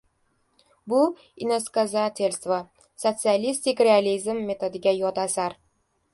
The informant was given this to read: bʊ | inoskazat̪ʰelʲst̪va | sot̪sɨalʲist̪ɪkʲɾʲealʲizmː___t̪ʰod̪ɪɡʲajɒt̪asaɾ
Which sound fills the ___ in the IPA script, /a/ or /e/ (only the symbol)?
e